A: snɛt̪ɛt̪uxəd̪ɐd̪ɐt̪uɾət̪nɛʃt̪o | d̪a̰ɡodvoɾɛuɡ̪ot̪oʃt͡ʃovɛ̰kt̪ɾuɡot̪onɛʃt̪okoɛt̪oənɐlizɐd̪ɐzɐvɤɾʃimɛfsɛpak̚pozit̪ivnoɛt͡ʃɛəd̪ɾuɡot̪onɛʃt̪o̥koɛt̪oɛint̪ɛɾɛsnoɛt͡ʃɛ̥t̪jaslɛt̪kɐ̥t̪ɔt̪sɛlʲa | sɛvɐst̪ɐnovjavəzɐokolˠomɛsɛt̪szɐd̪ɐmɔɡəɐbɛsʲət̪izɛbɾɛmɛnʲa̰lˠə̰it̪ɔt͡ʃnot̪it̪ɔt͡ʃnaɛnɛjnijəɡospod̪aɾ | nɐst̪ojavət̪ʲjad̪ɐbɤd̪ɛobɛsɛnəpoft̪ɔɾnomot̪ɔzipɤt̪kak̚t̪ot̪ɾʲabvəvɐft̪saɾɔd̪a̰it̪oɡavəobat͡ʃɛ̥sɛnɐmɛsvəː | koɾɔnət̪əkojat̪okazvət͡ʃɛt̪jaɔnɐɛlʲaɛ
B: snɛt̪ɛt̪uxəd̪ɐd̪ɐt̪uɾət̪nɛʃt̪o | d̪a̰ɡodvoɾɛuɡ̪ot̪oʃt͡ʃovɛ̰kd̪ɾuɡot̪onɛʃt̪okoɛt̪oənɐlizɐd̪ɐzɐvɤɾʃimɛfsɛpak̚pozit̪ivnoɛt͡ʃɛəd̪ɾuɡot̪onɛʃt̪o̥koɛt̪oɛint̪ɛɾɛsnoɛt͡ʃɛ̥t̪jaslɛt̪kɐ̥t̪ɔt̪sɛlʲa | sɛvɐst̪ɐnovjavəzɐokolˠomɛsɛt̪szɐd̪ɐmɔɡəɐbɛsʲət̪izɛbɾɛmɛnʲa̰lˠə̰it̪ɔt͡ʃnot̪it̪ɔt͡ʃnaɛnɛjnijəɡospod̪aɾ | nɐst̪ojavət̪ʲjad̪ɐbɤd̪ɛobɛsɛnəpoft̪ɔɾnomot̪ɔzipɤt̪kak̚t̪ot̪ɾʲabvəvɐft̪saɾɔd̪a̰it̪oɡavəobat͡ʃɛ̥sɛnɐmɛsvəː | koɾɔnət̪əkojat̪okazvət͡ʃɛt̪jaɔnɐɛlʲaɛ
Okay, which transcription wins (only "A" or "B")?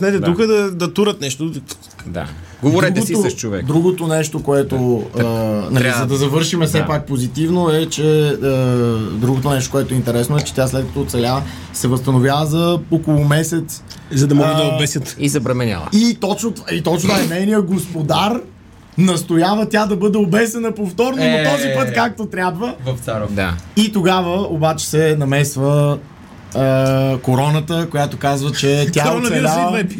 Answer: B